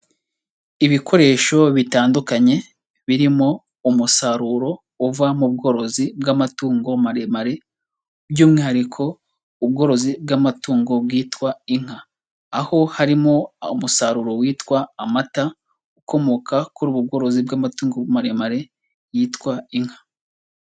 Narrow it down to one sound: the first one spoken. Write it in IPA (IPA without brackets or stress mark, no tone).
i